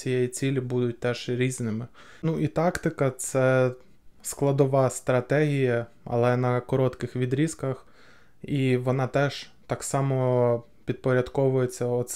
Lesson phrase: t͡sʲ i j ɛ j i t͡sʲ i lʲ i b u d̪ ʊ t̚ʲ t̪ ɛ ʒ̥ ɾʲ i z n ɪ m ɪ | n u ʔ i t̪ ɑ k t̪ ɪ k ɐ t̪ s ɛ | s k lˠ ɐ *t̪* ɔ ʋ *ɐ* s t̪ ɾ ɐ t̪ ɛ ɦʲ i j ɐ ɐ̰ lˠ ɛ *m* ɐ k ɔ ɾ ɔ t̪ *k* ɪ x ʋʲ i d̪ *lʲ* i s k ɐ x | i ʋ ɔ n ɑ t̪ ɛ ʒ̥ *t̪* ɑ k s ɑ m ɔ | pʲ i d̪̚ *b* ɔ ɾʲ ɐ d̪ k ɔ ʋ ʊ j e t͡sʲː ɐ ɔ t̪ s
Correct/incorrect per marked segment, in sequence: incorrect: d̪, incorrect: ɑ, incorrect: n, correct, incorrect: ɾʲ, correct, incorrect: p

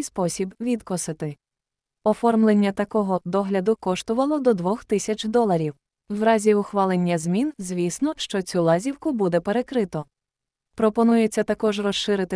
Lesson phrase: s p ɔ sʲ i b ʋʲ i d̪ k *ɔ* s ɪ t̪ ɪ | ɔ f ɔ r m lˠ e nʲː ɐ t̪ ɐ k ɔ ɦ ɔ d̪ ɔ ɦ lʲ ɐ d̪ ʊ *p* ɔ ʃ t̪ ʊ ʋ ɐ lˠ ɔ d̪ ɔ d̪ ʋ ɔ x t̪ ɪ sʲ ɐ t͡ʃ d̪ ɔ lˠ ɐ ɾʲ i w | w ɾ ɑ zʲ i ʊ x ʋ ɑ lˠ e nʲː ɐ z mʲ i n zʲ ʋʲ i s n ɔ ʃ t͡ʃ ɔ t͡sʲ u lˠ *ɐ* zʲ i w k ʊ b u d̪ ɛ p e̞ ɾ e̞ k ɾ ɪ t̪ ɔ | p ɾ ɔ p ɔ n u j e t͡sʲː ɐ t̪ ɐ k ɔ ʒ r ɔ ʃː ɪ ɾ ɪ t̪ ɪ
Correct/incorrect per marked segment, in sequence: correct, incorrect: k, incorrect: ɑ

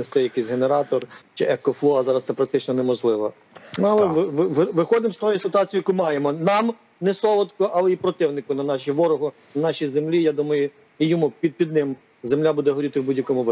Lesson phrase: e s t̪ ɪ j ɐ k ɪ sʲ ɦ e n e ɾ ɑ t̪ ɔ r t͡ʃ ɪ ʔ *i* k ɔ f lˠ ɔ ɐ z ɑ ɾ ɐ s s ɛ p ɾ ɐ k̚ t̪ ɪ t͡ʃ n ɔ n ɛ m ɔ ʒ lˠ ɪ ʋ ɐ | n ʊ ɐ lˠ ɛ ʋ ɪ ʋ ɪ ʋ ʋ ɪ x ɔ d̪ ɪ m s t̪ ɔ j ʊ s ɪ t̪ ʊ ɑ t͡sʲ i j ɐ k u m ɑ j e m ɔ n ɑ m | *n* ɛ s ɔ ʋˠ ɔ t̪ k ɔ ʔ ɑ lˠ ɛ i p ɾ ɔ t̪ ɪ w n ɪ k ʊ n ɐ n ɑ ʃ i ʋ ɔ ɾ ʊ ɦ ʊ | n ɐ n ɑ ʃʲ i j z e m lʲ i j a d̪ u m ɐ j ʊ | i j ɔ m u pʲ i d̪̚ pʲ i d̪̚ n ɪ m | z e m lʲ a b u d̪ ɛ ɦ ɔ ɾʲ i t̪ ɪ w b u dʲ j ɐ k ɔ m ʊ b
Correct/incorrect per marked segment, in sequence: incorrect: ɛ, correct

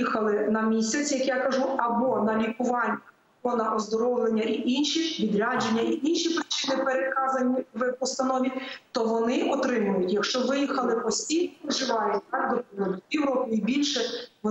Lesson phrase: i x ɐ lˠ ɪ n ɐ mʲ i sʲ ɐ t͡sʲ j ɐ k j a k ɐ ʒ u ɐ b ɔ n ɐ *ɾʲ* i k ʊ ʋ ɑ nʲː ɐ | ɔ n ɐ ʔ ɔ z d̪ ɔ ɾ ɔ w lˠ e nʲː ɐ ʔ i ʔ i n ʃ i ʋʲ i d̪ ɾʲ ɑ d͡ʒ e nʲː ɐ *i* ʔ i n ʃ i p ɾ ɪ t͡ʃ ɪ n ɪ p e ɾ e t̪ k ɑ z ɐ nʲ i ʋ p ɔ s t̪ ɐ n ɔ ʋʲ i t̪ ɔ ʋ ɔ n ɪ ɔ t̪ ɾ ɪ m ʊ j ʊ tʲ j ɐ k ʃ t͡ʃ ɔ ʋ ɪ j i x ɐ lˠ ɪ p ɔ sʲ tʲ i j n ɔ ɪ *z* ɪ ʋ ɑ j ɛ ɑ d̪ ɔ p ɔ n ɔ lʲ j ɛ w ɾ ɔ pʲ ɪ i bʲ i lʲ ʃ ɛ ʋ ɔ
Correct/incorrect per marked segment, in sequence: incorrect: lʲ, correct, incorrect: ʒ

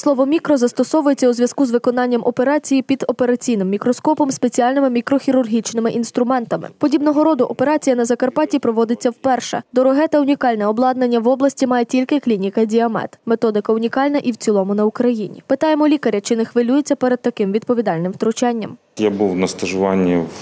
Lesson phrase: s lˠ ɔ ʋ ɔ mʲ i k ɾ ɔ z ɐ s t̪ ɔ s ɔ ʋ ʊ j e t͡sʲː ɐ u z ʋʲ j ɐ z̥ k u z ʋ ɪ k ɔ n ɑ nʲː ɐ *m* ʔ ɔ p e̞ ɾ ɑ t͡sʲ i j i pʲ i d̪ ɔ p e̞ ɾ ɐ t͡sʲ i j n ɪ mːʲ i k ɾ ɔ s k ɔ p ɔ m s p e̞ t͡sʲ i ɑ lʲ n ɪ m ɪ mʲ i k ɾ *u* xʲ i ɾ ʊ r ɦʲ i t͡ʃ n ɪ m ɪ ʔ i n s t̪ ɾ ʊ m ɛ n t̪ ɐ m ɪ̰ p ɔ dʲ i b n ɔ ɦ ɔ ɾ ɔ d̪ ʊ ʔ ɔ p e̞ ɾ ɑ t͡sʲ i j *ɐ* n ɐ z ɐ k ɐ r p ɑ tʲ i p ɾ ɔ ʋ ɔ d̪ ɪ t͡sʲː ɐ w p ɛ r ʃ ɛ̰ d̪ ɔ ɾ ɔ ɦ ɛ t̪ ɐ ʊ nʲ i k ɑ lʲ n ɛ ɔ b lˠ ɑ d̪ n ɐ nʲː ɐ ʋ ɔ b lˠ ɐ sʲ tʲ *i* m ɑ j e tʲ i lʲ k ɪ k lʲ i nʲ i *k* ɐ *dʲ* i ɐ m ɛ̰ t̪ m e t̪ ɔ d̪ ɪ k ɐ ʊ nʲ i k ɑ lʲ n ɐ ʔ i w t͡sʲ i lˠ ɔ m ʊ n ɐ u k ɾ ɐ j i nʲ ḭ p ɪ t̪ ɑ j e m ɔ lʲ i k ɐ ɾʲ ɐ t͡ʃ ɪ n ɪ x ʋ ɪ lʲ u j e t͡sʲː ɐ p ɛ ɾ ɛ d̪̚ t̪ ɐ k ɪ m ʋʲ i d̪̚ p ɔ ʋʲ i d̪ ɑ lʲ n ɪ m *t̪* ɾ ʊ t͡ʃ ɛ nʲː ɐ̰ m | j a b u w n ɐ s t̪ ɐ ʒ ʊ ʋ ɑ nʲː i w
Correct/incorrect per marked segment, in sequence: correct, incorrect: ɔ, correct, correct, correct, correct, correct

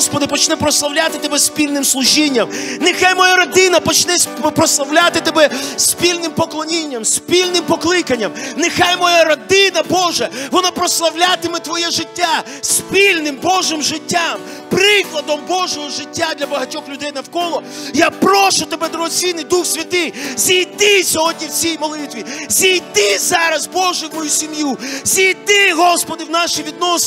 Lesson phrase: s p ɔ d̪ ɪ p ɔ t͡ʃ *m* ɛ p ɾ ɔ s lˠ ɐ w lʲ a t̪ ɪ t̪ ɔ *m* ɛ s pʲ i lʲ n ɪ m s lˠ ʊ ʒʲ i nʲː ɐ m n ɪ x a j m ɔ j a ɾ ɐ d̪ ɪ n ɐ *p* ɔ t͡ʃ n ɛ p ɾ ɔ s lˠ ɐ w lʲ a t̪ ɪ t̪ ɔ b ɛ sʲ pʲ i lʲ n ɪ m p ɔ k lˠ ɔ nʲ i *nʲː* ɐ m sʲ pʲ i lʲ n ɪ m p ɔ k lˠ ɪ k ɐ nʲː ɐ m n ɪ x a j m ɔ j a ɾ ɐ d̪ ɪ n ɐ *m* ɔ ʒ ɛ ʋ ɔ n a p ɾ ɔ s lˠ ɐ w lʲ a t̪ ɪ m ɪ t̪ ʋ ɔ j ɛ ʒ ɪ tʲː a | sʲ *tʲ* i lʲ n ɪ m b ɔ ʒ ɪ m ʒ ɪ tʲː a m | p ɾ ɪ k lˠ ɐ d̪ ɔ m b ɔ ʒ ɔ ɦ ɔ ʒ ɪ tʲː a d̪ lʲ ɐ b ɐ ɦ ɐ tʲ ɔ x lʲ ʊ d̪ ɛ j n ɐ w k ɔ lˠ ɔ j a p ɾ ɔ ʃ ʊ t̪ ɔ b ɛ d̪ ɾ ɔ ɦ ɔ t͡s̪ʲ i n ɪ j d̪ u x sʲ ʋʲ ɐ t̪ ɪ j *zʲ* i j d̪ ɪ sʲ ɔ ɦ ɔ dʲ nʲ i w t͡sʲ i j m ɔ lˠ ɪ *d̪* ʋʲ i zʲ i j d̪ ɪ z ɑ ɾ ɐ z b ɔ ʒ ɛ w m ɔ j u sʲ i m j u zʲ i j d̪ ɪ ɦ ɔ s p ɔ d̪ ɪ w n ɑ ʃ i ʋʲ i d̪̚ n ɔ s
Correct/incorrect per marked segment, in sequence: incorrect: n, incorrect: b, correct, correct, incorrect: b, incorrect: pʲ, correct, incorrect: t̪

